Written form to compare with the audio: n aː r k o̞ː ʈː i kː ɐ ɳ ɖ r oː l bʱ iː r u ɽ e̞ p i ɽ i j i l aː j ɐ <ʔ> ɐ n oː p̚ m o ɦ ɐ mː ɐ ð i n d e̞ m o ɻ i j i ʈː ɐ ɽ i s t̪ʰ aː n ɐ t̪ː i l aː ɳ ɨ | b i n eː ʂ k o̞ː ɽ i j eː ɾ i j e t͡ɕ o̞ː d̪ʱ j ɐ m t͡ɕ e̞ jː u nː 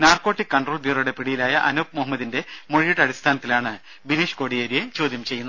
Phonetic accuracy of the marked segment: correct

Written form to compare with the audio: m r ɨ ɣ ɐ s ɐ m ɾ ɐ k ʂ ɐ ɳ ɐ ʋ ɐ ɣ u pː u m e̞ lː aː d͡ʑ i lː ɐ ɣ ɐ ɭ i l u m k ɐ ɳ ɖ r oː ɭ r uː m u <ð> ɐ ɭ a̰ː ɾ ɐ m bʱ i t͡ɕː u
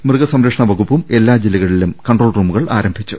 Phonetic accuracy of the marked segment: incorrect: ɣ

